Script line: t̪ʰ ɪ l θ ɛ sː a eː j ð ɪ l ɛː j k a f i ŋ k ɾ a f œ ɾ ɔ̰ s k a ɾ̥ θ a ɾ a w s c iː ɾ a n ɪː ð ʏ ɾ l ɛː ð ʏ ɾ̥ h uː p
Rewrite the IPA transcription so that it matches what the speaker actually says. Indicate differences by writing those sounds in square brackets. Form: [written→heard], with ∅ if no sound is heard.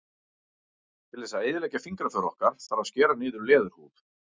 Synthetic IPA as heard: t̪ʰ ɪ l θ ɛ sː a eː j ð ɪ l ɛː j [k→c] a f i ŋ k ɾ a f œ ɾ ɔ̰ [s→h] k a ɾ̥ θ a ɾ a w s c [iː→ɛː] ɾ a n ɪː ð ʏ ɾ l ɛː ð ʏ ɾ̥ h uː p